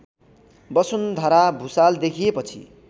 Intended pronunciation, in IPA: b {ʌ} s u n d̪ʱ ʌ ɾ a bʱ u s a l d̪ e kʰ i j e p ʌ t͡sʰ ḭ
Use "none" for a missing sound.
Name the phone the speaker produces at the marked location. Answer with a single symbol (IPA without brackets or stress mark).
ʌ